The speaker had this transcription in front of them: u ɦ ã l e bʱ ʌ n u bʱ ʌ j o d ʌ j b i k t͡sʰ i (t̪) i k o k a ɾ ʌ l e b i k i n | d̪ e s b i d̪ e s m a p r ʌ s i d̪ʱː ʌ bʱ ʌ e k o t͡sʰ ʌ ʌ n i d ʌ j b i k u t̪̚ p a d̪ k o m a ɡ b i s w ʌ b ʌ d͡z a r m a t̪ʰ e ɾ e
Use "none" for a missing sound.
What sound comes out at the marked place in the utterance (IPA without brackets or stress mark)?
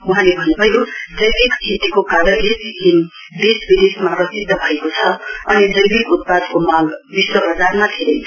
t̪